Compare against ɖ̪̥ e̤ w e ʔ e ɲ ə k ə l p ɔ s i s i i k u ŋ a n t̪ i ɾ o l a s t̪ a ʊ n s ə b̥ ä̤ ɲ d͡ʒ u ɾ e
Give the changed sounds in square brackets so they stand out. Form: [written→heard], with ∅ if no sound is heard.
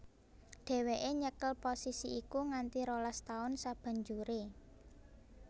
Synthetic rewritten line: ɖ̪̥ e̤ w e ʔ e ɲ ə k ə l p [ɔ→o] s i s i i k u ŋ a n t̪ i ɾ o l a s t̪ a ʊ n s [ə→a] b̥ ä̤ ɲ d͡ʒ u ɾ e